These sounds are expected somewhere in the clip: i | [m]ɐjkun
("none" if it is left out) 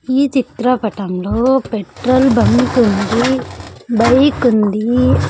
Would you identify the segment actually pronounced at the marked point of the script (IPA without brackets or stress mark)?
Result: b